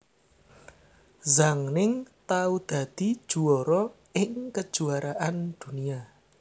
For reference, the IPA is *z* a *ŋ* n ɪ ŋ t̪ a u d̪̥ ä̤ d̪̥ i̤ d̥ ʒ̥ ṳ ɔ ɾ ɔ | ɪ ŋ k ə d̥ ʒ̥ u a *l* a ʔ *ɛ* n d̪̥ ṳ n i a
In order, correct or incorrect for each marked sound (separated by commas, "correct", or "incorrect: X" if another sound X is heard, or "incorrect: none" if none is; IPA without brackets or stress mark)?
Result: correct, correct, incorrect: ɾ, incorrect: a